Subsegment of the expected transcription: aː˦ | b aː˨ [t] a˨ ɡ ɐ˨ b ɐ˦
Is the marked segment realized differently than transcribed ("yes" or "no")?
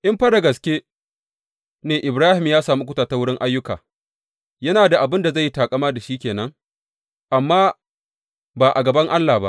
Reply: yes